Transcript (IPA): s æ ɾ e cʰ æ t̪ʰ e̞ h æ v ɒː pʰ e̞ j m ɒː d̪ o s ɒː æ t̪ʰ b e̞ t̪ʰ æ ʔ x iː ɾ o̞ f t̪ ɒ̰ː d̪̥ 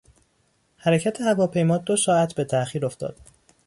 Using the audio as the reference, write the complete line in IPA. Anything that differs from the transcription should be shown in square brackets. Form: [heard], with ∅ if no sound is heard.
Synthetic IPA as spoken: [h] æ ɾ e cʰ æ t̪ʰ e̞ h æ v ɒː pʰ e̞ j m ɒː d̪ o s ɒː æ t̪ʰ b e̞ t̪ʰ æ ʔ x iː ɾ o̞ f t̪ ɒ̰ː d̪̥